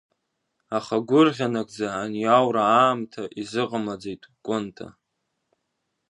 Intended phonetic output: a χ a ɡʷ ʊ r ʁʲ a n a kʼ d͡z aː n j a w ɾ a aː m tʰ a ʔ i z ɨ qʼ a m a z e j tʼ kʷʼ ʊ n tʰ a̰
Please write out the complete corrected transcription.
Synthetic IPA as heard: a χ a ɡʷ ʊ r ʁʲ a n a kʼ d͡z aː n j a w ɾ a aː m tʰ a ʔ i z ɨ qʼ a m a d͡z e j tʼ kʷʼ ʊ n tʰ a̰